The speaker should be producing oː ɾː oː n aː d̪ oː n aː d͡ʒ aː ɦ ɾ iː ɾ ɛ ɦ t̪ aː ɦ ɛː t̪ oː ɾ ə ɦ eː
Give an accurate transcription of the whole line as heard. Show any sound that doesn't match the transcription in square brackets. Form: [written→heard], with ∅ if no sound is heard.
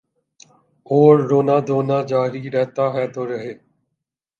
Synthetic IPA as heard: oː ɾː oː n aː d̪ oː n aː d͡ʒ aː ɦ ɾ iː ɾ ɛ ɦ t̪ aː ɦ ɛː t̪ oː ɾ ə ɦ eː